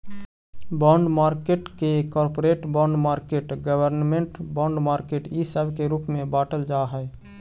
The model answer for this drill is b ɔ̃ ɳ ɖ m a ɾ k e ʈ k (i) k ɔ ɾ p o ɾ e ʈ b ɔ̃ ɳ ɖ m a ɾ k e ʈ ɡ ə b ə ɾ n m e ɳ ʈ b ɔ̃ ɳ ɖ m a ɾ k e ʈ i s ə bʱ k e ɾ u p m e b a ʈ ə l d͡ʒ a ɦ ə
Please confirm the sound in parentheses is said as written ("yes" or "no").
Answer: no